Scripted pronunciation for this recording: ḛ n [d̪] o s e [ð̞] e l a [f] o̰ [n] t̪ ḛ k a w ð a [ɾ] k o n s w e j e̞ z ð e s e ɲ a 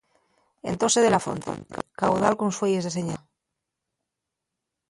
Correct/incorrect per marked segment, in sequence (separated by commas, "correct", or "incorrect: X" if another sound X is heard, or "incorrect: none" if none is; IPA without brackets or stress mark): incorrect: t̪, correct, correct, correct, incorrect: l